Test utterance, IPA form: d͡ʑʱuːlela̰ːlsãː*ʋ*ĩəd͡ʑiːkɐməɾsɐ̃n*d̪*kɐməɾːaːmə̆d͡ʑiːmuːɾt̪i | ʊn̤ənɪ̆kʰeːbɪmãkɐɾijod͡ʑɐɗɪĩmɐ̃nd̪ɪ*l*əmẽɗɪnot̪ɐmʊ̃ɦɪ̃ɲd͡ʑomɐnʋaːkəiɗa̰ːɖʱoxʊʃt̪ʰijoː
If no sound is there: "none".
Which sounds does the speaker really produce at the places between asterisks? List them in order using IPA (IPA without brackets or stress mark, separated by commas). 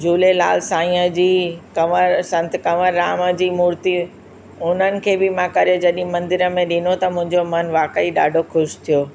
none, t̪, ɾ